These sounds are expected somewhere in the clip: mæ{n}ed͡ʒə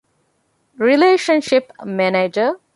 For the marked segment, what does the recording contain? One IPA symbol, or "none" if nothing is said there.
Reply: n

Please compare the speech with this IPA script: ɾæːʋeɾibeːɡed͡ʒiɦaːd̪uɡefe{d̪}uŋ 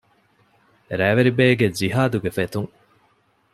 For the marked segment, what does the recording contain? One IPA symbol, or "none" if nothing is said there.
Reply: t̪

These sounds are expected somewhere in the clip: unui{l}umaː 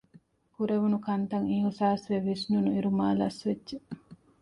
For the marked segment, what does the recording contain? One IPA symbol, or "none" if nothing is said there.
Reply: ɾ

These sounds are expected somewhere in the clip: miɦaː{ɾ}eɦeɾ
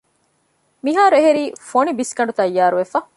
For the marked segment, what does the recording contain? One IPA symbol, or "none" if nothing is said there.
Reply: ɾ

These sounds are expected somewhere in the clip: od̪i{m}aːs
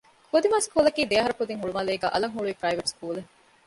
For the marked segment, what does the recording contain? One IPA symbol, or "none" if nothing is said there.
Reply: m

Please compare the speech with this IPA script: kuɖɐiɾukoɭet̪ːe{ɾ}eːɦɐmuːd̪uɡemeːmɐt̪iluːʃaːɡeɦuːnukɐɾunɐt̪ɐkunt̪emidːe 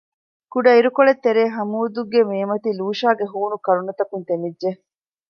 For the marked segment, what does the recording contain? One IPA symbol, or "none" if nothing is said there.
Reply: ɾ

